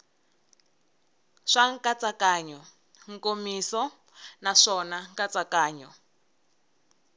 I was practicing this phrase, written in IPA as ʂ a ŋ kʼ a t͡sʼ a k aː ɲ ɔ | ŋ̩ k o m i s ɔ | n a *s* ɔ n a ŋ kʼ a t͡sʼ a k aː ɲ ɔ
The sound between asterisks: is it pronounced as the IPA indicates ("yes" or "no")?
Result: no